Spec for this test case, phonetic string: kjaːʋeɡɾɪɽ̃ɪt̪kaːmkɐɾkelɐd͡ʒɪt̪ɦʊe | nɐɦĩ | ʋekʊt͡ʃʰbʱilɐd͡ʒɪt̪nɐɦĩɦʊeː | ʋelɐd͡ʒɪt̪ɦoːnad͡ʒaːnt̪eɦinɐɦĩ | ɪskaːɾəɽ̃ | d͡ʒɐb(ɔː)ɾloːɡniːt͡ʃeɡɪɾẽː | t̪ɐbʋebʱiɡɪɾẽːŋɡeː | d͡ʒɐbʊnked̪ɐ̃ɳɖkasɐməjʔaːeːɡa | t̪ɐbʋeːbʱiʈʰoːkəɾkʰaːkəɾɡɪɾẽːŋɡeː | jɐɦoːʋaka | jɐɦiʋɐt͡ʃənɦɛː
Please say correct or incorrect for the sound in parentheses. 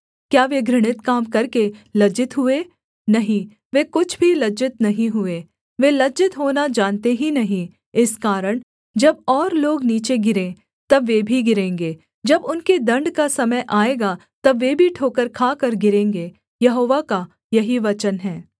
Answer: correct